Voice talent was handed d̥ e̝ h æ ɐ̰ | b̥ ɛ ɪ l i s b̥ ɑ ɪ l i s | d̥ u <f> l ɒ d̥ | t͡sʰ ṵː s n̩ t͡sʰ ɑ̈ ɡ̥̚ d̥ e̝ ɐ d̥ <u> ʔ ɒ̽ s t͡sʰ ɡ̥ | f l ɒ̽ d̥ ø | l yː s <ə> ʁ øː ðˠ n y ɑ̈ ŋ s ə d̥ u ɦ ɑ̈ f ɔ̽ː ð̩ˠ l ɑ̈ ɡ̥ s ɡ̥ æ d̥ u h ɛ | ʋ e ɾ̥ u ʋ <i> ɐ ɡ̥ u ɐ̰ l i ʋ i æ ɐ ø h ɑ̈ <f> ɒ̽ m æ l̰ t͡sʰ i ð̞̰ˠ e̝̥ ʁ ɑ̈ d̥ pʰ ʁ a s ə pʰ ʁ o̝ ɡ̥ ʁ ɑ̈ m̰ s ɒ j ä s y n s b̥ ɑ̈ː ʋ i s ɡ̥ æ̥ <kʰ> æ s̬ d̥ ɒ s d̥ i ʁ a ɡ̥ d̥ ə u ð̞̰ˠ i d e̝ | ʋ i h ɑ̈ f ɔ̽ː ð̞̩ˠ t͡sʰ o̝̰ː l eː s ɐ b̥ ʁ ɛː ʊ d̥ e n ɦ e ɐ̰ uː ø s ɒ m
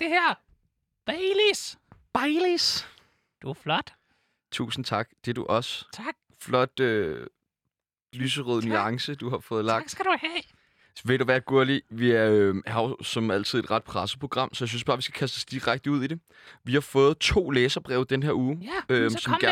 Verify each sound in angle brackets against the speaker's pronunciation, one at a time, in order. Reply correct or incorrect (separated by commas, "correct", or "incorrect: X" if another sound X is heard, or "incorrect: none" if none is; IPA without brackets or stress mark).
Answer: correct, correct, correct, incorrect: æ, incorrect: s, correct